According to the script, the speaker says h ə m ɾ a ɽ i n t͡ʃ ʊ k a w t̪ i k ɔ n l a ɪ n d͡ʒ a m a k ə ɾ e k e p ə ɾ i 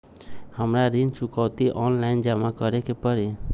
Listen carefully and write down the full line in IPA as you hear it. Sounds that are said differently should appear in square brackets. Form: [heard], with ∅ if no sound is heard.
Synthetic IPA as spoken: h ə m ɾ a [ɾ] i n t͡ʃ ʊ k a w t̪ i [ʔ] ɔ n l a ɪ n d͡ʒ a m a k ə ɾ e k e p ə ɾ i